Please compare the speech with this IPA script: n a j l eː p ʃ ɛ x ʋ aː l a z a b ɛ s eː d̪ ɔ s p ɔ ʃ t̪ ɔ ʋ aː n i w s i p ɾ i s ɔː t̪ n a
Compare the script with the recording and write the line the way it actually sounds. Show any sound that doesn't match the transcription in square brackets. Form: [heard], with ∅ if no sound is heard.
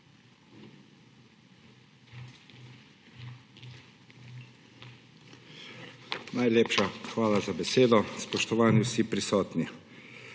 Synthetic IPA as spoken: n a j l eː p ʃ [a] x ʋ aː l a z a b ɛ s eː d̪ ɔ s p ɔ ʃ t̪ ɔ ʋ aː n i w s i p ɾ i s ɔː t̪ n [i]